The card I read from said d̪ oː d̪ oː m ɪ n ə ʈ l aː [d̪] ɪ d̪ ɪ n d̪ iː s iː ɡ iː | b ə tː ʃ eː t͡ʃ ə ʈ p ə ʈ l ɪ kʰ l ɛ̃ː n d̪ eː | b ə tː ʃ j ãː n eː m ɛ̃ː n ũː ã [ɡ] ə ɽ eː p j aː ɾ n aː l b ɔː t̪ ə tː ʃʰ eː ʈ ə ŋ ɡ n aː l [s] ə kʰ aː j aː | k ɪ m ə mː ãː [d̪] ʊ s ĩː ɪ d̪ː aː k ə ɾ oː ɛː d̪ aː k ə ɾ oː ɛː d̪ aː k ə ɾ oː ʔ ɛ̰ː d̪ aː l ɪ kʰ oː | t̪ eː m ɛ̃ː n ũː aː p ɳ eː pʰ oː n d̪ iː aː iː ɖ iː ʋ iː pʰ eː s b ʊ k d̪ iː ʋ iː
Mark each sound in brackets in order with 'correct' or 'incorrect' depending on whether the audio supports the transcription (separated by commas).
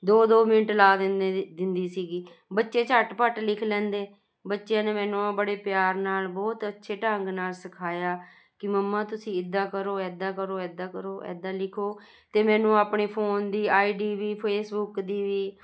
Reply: correct, incorrect, correct, incorrect